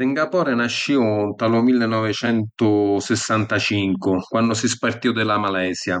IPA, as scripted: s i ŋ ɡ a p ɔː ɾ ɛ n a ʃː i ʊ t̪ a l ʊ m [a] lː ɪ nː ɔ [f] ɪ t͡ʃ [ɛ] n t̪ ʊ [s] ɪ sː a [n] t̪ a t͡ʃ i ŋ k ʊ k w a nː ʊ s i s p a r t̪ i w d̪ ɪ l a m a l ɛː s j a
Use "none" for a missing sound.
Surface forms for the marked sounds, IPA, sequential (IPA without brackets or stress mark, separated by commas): i, v, ɛ, s, n